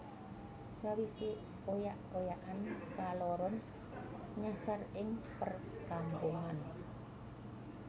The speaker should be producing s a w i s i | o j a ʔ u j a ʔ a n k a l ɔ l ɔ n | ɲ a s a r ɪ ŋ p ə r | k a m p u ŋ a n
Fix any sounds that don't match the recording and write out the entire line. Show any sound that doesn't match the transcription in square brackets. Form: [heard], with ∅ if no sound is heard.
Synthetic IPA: s a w i s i | o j a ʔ [o] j a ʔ a n k a l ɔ [ɾ] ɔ n | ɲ a s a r ɪ ŋ p ə r | k a m p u ŋ a n